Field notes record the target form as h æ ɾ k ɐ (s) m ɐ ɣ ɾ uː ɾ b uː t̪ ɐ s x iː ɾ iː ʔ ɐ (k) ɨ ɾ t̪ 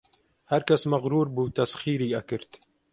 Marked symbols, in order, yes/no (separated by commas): yes, yes